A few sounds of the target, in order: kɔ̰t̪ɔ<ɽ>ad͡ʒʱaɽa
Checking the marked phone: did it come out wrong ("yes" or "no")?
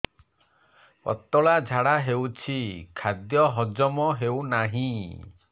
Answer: yes